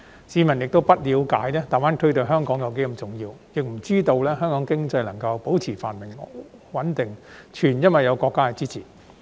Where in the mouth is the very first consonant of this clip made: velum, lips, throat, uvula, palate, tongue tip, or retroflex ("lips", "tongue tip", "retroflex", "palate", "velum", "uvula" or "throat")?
tongue tip